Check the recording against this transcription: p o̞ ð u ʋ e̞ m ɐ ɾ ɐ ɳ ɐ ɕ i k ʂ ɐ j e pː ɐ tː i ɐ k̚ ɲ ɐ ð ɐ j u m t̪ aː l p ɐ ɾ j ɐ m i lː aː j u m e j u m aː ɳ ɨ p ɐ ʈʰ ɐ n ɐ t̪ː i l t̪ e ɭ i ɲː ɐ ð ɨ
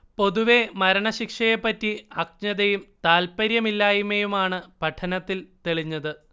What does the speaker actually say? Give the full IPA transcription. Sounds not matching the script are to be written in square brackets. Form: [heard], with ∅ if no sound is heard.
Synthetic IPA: p o̞ ð u ʋ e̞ m ɐ ɾ ɐ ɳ ɐ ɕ i k ʂ ɐ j e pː ɐ tː i ɐ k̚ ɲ ɐ ð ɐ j u m t̪ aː l p ɐ ɾ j ɐ m i lː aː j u m e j u m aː ɳ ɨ p ɐ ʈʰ ɐ n ɐ t̪ː i l t̪ e ɭ i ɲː ɐ ð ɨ

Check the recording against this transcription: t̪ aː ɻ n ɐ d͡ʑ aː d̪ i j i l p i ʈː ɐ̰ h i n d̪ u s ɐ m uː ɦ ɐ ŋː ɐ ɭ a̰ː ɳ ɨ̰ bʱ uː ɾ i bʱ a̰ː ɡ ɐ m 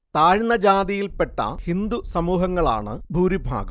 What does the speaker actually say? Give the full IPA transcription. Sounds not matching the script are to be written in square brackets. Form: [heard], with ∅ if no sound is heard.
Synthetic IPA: t̪ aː ɻ n ɐ d͡ʑ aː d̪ i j i l p [e] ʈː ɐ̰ h i n d̪ u s ɐ m uː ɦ ɐ ŋː ɐ ɭ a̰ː ɳ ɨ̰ bʱ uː ɾ i bʱ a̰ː ɡ ɐ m

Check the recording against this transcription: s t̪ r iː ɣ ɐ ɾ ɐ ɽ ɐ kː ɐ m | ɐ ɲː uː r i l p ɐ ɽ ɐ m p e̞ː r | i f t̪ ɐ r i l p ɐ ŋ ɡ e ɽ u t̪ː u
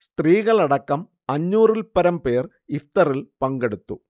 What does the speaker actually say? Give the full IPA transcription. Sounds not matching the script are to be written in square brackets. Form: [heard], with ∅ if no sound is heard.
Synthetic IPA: s t̪ r iː ɣ ɐ [ɭ] ɐ ɽ ɐ kː ɐ m | ɐ ɲː uː r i l p ɐ [ɾ] ɐ m p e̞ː r | i f t̪ ɐ r i l p ɐ ŋ ɡ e ɽ u t̪ː u

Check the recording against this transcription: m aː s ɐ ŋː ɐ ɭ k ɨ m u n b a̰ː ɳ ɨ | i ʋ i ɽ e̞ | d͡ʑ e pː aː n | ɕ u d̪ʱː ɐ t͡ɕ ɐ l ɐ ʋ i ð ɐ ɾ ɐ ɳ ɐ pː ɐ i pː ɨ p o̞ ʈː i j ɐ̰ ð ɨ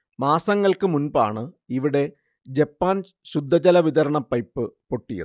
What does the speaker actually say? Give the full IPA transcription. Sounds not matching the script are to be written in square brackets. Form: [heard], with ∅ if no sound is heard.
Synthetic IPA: m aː s ɐ ŋː ɐ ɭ k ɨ m u n b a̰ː ɳ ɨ | i ʋ i ɽ e̞ | d͡ʑ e pː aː n | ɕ u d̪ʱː ɐ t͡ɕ ɐ l ɐ ʋ i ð ɐ ɾ ɐ ɳ ɐ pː ɐ [j] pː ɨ p o̞ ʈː i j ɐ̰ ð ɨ

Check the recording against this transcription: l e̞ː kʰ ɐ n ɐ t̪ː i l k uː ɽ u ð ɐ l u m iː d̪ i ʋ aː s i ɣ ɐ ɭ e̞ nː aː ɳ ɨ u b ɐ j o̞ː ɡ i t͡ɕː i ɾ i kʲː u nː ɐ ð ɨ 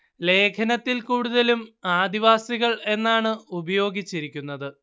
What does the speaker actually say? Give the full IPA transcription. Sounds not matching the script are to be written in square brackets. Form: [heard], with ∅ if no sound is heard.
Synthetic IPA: l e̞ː kʰ ɐ n ɐ t̪ː i l k uː ɽ u ð ɐ l u m [aː] d̪ i ʋ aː s i ɣ ɐ ɭ e̞ nː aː ɳ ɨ u b ɐ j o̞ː ɡ i t͡ɕː i ɾ i kʲː u nː ɐ ð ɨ

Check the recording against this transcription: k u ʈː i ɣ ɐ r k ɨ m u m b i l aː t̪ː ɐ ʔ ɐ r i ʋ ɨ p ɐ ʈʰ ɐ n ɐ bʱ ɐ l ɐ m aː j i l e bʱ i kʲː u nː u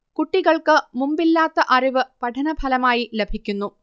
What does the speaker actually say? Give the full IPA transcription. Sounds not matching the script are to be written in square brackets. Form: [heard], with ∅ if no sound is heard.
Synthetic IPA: k u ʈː i ɣ ɐ [ɭ] k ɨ m u m b i [lː] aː t̪ː ɐ ʔ ɐ r i ʋ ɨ p ɐ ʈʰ ɐ n ɐ bʱ ɐ l ɐ m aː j i l e bʱ i kʲː u nː u

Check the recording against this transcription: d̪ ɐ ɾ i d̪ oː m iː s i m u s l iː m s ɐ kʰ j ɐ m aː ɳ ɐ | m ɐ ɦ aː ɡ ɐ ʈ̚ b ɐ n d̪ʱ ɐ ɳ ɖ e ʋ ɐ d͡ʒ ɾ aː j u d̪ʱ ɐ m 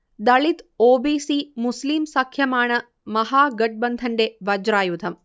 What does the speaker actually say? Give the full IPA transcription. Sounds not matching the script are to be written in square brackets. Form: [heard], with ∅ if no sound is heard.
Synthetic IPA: d̪ ɐ [ɭ] i [t̪] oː [b] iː s i m u s l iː m s ɐ kʰ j ɐ m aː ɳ ɐ | m ɐ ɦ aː ɡ ɐ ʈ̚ b ɐ n d̪ʱ ɐ ɳ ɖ e ʋ ɐ d͡ʒ ɾ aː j u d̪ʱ ɐ m

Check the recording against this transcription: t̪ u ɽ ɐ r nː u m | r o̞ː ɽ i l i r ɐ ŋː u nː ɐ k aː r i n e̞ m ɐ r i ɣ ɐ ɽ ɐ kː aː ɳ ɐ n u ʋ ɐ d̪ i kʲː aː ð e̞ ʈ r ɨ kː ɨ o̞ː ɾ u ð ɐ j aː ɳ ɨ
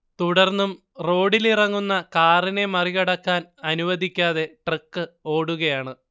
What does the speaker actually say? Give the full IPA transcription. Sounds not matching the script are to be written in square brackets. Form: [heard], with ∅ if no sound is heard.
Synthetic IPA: t̪ u ɽ ɐ r nː u m | r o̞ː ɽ i l i r ɐ ŋː u nː ɐ k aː r i n e̞ m ɐ r i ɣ ɐ ɽ ɐ kː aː [n] ɐ n u ʋ ɐ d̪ i kʲː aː ð e̞ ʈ r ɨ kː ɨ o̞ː [ɽ] u [ɣ] ɐ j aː ɳ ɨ

